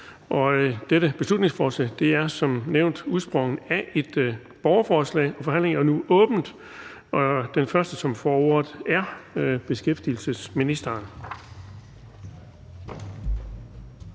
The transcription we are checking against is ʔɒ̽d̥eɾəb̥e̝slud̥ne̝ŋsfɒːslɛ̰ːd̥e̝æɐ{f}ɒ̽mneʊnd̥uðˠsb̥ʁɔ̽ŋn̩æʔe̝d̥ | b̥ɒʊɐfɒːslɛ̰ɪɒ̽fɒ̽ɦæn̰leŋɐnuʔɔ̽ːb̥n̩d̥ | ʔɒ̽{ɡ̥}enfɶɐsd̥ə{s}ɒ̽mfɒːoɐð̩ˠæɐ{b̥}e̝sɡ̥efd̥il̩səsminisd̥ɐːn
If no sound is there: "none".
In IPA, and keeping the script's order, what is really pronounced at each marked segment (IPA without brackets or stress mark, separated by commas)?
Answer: s, d̥, s, b̥